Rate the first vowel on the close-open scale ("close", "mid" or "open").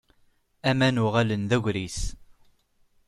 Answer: open